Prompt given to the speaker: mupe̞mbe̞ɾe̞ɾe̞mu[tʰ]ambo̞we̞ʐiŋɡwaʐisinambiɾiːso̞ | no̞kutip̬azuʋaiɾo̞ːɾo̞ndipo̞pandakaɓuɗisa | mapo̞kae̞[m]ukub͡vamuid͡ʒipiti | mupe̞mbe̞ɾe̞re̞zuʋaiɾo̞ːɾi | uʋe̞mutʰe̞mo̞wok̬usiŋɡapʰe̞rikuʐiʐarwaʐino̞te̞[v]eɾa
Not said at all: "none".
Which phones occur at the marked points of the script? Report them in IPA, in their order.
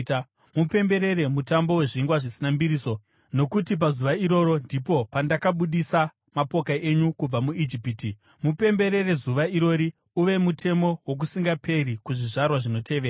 t, ɲ, ʋ

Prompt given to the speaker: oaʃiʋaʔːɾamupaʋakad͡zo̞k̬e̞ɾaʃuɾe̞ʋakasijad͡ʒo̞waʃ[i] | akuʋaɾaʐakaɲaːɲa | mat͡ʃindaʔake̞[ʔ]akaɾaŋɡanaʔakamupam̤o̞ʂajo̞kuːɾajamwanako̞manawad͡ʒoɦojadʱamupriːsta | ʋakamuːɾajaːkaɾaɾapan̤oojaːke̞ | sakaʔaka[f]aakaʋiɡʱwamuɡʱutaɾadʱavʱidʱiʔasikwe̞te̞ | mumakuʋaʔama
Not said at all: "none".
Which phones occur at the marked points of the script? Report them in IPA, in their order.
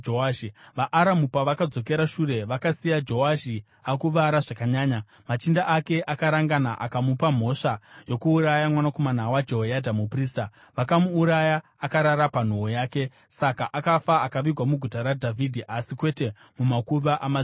i, ʔ, f

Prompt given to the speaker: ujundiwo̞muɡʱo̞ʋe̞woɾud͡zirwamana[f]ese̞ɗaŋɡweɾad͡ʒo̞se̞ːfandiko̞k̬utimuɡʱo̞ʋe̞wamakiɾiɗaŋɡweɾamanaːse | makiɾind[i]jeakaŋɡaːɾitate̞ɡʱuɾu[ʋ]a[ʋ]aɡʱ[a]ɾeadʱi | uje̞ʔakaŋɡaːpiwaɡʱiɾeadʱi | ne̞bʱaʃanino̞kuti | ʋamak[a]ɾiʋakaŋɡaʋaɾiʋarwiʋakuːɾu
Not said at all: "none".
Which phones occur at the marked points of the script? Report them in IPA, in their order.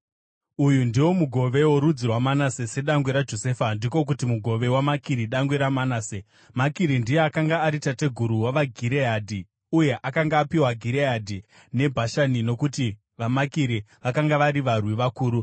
s, i, w, ʋ, i, i

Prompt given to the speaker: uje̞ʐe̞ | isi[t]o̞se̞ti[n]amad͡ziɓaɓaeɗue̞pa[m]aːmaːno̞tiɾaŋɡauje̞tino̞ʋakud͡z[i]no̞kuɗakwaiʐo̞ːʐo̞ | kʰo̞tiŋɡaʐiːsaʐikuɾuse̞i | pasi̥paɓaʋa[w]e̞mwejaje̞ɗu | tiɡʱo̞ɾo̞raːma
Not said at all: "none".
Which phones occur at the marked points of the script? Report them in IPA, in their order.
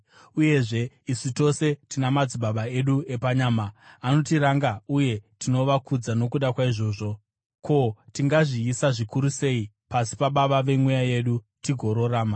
t, n, ɲ, a, ʋ

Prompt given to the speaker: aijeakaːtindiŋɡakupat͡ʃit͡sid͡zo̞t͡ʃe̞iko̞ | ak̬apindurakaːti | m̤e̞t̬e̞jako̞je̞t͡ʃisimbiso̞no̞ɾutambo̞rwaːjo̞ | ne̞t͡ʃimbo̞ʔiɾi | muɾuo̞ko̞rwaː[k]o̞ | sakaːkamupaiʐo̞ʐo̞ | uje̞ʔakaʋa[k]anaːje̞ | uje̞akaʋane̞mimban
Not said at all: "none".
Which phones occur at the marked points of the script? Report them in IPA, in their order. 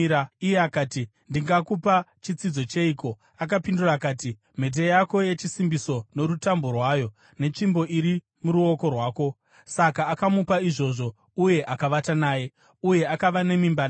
k, t

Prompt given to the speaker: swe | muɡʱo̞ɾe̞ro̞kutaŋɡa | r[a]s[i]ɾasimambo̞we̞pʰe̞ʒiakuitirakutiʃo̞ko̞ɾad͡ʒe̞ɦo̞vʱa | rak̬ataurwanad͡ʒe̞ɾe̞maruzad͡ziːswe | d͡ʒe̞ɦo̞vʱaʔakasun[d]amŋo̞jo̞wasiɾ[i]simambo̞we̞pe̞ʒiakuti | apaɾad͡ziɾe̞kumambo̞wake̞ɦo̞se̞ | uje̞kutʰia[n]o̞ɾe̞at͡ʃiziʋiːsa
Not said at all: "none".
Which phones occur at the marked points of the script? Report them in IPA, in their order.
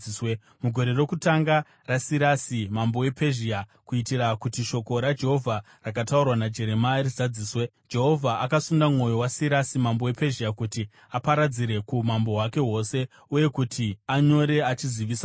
a, i, d, a, ɲ

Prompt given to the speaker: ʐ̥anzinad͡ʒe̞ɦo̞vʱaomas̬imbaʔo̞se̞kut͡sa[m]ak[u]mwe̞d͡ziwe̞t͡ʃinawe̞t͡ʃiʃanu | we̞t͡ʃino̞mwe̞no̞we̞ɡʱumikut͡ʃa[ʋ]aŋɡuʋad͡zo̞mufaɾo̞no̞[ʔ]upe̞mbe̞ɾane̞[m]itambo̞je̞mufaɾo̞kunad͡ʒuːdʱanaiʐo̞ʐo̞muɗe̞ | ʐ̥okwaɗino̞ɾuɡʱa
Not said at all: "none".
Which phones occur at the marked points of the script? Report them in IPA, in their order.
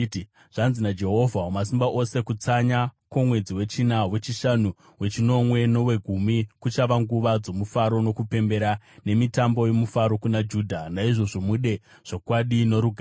ɲ, o, ʋ, k, m

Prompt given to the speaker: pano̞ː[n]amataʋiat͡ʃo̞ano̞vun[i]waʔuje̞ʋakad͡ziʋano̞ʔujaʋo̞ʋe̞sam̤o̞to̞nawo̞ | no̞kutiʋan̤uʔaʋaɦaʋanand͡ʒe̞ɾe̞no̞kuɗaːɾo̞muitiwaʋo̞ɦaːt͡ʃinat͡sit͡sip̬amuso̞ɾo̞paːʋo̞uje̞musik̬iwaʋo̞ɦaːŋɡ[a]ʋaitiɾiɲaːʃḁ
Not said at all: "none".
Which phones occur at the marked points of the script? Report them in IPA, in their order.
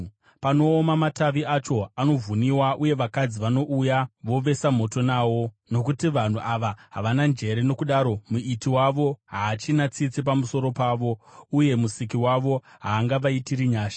m, i, a

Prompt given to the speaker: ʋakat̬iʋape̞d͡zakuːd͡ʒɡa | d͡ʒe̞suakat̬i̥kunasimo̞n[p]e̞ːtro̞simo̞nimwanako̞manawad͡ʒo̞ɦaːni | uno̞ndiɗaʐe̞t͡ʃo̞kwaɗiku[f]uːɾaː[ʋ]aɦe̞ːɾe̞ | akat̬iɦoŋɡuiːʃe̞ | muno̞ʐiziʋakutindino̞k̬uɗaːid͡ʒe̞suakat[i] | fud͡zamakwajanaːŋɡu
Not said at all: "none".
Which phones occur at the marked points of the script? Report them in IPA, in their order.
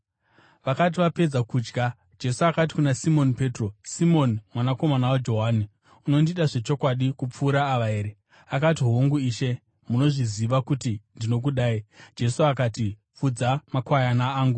p, p͡f, ʋ, i

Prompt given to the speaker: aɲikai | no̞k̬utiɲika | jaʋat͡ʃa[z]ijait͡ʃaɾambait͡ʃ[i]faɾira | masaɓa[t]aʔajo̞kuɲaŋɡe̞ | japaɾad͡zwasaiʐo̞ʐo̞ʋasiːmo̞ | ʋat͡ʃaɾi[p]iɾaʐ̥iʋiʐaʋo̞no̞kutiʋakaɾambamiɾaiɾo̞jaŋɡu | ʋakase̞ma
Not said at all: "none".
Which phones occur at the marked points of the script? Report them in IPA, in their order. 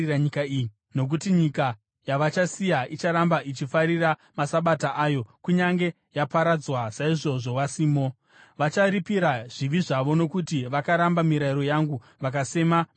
s, i, t, p

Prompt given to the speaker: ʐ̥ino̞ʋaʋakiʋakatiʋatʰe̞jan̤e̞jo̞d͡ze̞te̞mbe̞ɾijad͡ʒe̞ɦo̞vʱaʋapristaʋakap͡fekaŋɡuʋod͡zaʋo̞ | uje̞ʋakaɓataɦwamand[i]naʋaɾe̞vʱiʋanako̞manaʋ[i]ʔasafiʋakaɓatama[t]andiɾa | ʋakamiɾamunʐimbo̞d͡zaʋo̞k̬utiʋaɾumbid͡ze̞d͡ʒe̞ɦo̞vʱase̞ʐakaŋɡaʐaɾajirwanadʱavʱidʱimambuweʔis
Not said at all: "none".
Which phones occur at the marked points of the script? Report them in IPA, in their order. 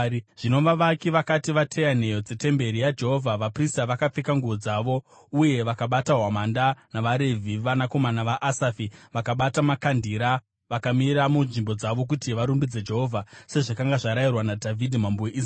a, a, k

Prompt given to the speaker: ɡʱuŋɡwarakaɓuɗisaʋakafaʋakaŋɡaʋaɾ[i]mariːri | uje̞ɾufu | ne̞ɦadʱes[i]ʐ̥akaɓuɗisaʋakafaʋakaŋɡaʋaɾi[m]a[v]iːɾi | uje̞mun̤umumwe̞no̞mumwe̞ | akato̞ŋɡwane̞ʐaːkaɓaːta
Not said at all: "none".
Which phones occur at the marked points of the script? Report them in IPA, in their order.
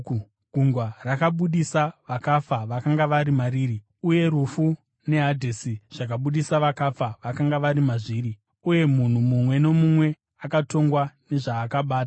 i, i, m, ʐ

